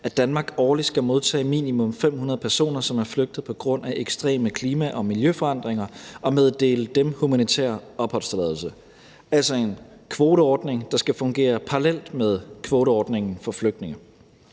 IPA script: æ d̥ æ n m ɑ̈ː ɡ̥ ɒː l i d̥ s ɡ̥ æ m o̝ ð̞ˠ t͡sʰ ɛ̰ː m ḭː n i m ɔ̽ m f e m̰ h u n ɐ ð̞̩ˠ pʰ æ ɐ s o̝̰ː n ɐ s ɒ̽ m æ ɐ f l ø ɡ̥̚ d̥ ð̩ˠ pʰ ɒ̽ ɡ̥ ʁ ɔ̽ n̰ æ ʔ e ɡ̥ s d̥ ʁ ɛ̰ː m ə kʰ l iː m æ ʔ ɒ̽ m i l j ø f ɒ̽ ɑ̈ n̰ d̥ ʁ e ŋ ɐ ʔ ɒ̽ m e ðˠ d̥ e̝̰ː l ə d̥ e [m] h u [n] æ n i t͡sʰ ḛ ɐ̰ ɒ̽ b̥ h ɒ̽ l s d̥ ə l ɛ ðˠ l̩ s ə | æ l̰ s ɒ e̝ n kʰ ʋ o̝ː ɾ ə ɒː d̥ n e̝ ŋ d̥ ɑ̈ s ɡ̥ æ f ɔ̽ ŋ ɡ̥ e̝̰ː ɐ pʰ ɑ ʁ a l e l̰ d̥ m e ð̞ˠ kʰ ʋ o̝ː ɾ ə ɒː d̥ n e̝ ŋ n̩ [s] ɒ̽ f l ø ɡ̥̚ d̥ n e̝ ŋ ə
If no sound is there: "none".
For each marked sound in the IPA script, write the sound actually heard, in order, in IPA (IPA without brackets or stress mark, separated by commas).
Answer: m, m, f